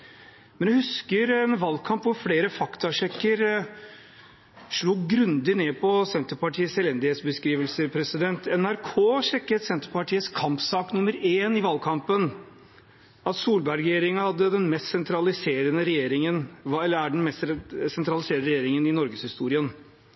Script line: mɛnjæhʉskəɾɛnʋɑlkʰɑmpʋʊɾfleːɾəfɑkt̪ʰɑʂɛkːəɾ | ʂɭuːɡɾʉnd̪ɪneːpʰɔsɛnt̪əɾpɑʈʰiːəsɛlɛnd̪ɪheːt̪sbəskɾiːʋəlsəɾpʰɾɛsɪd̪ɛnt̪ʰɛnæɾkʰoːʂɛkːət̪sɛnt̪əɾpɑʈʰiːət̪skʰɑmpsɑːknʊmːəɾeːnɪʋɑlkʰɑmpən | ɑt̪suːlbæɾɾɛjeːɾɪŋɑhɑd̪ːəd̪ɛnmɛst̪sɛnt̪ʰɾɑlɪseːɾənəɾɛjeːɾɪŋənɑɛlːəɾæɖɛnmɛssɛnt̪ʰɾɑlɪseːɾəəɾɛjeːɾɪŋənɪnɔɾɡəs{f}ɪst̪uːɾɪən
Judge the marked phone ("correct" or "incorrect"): incorrect